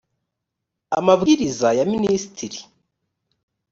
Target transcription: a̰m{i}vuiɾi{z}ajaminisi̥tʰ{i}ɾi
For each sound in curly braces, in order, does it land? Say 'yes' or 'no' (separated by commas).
no, yes, yes